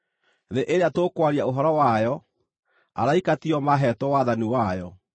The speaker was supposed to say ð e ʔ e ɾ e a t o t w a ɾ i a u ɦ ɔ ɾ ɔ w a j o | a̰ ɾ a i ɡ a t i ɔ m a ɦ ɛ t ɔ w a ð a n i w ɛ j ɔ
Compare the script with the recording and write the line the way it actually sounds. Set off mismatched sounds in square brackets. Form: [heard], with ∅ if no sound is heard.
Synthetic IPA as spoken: ð e ʔ e ɾ e a t o [k] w a ɾ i a [o] ɦ ɔ ɾ ɔ w a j [ɔ] | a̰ ɾ a i [k] a t i ɔ m a ɦ ɛ t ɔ w a ð a n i w [a] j ɔ